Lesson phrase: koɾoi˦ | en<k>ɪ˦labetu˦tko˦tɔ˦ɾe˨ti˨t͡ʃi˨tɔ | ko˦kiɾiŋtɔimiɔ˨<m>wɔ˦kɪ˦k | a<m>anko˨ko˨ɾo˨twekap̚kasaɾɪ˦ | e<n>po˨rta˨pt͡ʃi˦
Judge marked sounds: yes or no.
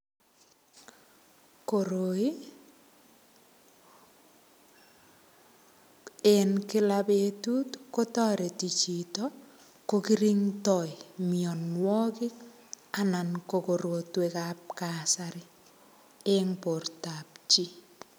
yes, no, no, no

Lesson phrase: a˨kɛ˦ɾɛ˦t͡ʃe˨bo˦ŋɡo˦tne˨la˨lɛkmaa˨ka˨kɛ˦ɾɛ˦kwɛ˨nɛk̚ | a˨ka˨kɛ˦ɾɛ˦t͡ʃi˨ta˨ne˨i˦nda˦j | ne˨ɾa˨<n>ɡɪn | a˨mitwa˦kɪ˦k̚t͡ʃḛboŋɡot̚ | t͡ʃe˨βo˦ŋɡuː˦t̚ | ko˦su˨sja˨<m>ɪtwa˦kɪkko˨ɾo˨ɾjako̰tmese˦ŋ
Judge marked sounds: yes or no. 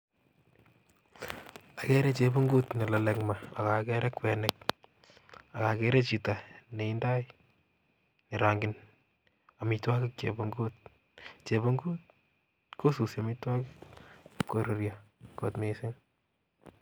no, yes

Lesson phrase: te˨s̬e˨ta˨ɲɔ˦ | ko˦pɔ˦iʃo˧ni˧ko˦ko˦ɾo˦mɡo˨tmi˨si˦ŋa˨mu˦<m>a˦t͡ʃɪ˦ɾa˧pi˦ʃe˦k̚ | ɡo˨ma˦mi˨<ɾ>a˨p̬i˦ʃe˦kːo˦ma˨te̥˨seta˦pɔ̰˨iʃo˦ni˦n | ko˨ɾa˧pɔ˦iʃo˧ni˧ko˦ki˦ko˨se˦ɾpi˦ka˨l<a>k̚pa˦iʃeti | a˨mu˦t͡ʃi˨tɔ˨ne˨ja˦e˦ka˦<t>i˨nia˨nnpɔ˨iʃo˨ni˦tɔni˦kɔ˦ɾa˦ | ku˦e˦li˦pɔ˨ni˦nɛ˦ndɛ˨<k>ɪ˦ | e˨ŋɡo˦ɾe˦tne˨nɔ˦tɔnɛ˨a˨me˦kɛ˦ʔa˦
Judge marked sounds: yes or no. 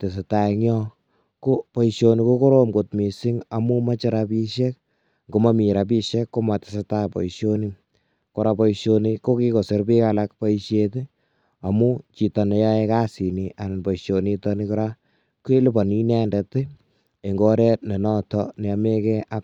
yes, yes, yes, no, no

